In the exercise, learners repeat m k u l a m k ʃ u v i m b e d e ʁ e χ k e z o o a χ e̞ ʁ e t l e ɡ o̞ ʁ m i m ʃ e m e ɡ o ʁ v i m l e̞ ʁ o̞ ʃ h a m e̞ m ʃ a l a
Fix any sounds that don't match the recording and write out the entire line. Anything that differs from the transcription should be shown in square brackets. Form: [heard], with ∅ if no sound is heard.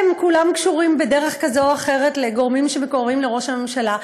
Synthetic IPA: m k u l a m k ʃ u [ʁ] i m b e d e ʁ e χ k [a] z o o a χ e̞ ʁ e t l e ɡ o̞ ʁ m i m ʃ e m e [k] o ʁ v i m l e̞ ʁ o̞ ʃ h a m e̞ m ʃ a l a